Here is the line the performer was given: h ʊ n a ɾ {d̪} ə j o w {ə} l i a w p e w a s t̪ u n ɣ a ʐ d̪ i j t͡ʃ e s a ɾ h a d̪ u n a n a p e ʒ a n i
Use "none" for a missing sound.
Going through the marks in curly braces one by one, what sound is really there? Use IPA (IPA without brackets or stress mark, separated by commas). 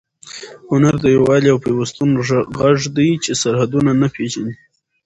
d̪, ɑ